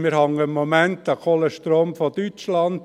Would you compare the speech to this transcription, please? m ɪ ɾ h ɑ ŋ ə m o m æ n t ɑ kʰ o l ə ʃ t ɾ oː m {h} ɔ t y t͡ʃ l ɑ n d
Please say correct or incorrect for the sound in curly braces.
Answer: incorrect